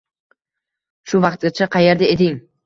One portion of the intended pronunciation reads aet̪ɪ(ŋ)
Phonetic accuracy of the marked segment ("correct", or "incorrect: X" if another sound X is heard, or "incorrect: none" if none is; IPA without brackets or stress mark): correct